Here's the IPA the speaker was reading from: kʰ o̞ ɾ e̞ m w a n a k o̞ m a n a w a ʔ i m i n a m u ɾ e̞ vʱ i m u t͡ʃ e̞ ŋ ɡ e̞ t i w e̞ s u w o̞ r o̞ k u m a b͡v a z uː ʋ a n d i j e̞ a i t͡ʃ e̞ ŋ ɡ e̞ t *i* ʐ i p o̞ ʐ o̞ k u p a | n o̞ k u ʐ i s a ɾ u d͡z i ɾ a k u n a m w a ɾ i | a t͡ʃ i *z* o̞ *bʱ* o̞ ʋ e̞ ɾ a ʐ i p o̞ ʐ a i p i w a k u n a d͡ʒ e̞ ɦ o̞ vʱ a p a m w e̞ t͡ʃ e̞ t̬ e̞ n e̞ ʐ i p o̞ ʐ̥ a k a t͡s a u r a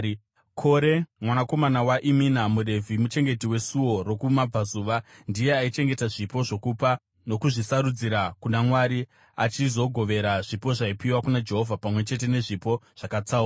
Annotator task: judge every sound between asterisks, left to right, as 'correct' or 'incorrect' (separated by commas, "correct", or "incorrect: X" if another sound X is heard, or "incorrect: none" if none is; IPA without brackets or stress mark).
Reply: incorrect: a, correct, incorrect: ɡʱ